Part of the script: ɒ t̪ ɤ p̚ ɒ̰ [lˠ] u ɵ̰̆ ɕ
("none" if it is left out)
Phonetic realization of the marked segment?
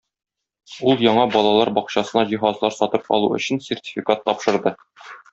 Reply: lˠ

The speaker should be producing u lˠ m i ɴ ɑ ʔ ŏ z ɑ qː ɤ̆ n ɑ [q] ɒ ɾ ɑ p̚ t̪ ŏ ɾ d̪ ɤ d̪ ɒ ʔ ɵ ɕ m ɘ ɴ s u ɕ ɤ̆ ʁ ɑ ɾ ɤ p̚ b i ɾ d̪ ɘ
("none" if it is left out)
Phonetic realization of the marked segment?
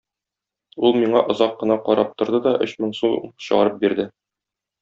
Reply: q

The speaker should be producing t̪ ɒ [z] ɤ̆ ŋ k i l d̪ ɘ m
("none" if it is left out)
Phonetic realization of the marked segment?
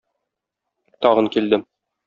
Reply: ʁ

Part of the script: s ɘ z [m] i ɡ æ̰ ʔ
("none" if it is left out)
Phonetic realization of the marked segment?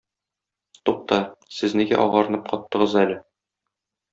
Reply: n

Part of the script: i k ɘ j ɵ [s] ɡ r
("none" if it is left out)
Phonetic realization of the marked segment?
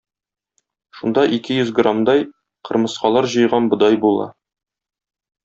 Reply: z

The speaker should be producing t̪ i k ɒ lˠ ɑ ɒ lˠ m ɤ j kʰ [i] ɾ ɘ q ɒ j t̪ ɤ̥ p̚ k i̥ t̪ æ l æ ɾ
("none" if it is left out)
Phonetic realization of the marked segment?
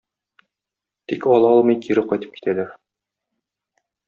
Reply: i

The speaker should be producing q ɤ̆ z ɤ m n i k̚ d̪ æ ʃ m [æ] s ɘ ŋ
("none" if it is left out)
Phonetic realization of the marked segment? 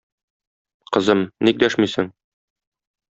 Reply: i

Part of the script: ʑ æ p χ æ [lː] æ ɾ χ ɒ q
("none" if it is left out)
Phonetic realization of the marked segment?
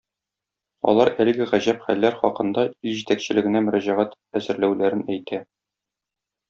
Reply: lː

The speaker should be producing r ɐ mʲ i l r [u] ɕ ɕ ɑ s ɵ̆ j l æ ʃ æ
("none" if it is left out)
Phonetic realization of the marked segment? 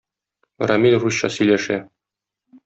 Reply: u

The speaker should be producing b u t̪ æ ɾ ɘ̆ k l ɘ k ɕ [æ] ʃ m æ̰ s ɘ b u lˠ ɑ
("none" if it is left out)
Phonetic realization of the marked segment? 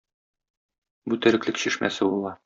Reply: i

